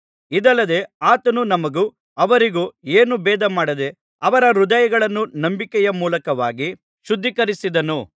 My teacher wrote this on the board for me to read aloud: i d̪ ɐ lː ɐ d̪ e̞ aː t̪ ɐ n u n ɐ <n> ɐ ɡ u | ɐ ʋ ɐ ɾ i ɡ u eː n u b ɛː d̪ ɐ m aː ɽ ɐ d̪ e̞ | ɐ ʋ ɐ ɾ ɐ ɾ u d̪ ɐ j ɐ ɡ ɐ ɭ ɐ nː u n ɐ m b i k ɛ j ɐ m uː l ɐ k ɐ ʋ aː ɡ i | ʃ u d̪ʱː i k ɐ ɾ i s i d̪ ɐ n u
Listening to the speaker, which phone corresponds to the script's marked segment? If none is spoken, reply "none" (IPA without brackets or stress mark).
m